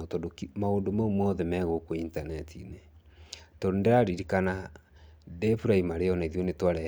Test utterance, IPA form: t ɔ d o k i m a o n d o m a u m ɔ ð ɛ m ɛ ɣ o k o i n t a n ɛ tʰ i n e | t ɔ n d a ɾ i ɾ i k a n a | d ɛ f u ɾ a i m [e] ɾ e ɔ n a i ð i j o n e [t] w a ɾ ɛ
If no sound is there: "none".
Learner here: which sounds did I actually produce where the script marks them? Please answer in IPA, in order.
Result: a, t

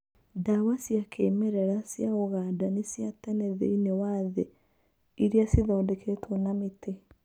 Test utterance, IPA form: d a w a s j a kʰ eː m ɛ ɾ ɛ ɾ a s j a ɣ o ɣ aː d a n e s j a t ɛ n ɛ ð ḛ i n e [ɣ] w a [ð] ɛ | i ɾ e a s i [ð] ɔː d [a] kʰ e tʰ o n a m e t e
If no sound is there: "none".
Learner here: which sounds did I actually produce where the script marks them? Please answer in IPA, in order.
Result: none, ð, ð, ɛ

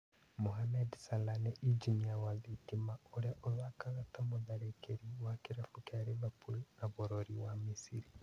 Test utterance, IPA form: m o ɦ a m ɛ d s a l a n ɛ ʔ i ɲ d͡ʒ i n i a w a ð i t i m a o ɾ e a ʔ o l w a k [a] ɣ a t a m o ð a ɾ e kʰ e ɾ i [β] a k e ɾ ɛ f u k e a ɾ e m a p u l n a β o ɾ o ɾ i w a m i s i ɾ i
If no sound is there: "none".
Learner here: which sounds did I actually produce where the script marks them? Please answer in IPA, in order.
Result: a, w

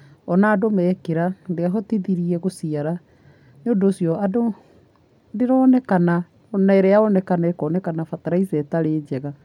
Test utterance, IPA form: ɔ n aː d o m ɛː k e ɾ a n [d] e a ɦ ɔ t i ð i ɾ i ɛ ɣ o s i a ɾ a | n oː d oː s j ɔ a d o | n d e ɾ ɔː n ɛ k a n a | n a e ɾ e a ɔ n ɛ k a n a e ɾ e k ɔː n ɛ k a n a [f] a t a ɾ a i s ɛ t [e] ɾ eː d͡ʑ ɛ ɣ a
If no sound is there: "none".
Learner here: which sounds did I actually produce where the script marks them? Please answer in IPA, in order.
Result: d, f, a

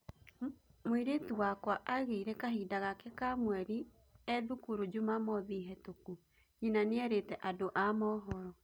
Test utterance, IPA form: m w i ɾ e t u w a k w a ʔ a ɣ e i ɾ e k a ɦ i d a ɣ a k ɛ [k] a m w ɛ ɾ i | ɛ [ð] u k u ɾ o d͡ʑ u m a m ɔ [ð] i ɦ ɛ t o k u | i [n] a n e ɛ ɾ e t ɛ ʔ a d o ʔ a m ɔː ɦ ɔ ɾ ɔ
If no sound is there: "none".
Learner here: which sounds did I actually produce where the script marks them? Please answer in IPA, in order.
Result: k, ð, ð, n

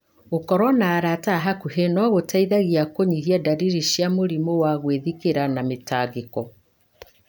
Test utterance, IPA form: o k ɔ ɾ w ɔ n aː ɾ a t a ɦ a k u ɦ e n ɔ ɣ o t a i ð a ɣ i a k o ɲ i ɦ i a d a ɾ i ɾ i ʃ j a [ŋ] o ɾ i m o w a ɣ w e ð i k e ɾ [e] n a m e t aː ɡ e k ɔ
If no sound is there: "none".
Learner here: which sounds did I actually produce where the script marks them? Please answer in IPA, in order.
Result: m, a

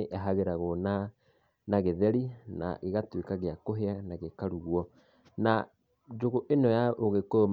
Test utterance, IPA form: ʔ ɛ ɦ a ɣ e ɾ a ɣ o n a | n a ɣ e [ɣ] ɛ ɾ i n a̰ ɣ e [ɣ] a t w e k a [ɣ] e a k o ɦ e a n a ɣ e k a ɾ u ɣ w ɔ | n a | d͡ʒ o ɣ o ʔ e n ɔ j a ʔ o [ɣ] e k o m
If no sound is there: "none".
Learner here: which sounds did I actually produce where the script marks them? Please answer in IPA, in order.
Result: ð, ɣ, ɣ, ɣ

